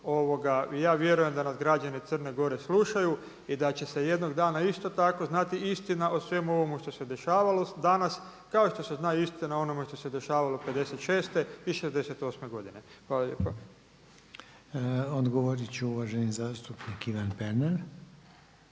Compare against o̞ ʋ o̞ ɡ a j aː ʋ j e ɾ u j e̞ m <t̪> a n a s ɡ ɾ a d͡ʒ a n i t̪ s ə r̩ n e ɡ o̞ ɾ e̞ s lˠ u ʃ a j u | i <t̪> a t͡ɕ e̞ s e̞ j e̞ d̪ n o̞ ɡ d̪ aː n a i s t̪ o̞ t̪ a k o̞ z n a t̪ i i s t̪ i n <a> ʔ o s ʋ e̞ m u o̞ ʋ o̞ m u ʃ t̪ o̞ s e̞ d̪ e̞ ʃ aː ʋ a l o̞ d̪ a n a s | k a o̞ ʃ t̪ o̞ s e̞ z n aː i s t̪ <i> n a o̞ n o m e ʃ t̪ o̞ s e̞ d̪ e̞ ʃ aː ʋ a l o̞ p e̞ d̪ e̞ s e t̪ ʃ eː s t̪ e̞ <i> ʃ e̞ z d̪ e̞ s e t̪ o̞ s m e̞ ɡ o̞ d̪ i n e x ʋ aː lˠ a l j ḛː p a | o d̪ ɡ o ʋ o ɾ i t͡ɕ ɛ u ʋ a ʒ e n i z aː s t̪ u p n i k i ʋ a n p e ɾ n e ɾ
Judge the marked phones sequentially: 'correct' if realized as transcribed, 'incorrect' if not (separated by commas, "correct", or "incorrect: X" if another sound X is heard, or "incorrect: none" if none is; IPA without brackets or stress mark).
incorrect: d̪, incorrect: d̪, correct, correct, correct